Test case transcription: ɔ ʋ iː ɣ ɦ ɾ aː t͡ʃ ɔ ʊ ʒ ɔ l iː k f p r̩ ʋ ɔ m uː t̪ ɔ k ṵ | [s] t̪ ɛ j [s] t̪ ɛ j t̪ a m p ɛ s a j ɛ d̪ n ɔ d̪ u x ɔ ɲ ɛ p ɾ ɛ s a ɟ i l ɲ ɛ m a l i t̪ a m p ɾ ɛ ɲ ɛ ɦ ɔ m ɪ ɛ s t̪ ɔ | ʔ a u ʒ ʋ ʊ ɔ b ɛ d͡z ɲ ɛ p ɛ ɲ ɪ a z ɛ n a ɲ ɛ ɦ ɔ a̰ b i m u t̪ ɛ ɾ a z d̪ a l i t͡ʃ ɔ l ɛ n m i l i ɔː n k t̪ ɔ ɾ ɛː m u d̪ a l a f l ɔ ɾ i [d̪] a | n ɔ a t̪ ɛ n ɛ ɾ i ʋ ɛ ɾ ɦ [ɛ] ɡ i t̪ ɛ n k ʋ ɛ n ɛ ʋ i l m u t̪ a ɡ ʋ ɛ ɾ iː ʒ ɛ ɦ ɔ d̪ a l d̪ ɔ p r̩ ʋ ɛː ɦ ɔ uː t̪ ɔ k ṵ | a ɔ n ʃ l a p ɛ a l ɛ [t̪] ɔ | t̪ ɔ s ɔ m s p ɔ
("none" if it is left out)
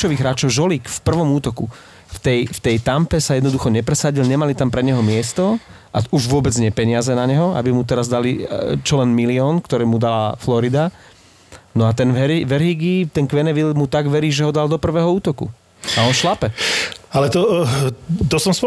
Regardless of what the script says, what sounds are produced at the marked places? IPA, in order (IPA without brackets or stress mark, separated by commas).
f, f, d̪, i, t̪